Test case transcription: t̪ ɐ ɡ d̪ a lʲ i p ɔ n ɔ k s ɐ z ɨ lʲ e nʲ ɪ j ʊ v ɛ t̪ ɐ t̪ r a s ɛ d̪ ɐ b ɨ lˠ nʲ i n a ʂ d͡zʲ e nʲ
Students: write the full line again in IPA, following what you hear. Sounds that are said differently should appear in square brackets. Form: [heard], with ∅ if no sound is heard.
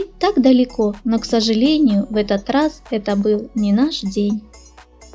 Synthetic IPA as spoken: t̪ [a] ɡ d̪ [ɐ] lʲ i [k] ɔ n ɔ k s ɐ [ʐ] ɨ lʲ e nʲ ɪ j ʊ v ɛ t̪ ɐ t̪ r a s ɛ [t̪] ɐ b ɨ lˠ nʲ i n a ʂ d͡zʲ e nʲ